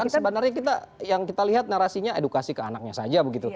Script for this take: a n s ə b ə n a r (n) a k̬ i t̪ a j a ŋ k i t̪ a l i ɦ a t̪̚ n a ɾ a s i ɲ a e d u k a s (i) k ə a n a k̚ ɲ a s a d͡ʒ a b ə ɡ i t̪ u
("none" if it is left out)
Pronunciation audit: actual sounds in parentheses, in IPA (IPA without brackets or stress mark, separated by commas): ɲ, i